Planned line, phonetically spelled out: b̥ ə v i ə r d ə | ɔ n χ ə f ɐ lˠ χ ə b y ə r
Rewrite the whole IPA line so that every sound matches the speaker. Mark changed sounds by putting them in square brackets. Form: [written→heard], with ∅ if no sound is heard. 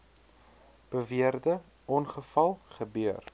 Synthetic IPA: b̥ ə v i ə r d ə | ɔ n χ ə f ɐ lˠ χ ə b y ə r